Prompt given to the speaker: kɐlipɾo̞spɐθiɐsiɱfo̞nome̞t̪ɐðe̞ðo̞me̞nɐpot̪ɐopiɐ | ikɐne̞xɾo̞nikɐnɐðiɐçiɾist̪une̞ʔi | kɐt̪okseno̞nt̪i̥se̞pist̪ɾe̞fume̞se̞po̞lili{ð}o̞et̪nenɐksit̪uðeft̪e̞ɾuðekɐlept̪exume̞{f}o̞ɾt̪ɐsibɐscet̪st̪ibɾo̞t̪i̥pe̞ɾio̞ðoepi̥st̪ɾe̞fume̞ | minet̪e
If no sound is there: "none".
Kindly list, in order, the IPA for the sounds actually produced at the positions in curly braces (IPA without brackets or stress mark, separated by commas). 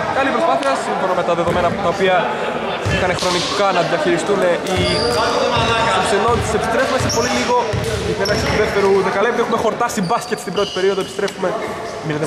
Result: ɣ, x